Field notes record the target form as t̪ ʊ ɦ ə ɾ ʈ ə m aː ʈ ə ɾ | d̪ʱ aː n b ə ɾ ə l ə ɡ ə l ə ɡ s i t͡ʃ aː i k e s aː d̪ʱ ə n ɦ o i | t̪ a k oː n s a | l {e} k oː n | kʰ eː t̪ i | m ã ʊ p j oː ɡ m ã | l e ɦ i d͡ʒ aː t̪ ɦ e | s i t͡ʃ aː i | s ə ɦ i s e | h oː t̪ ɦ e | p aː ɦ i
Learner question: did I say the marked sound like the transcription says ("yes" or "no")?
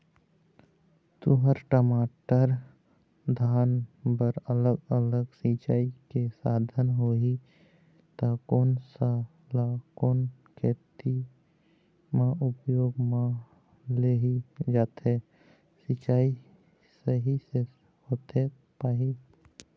no